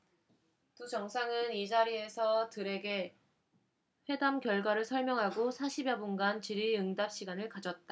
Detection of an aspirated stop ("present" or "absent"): absent